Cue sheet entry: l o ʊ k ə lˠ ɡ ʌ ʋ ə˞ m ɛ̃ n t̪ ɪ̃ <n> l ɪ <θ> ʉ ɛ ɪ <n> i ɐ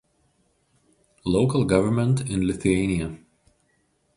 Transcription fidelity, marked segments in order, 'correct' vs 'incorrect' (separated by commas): correct, correct, correct